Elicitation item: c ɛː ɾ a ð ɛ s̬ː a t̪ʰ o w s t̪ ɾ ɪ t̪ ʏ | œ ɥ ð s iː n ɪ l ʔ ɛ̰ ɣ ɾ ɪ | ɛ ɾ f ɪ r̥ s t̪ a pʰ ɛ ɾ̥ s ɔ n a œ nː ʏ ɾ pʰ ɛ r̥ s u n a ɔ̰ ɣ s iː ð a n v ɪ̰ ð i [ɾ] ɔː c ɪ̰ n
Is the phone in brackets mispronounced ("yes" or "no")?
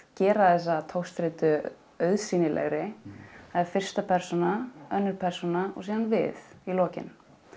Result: yes